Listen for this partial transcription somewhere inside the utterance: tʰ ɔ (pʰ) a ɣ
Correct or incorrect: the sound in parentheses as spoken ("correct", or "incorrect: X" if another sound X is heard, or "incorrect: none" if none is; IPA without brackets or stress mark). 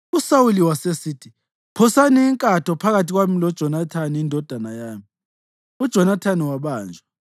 correct